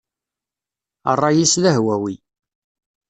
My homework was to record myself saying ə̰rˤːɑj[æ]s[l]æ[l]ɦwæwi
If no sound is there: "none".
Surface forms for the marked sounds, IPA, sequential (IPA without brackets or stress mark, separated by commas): i, l, none